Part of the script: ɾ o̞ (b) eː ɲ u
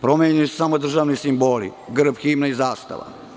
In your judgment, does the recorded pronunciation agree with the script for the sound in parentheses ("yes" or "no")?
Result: no